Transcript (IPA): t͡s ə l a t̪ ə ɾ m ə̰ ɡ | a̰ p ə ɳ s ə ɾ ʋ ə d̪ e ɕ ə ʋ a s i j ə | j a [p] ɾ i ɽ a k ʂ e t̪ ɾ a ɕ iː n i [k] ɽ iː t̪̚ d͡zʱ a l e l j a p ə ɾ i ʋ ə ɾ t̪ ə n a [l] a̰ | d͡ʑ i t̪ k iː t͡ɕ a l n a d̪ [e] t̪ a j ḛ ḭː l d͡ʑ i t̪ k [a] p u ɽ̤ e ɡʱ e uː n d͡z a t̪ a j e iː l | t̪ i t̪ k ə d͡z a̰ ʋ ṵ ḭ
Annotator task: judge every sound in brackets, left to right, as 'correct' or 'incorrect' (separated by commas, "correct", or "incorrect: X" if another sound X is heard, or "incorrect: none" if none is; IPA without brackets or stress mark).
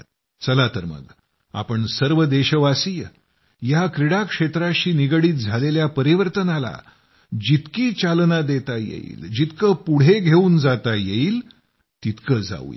incorrect: k, incorrect: ɡ, correct, correct, incorrect: ə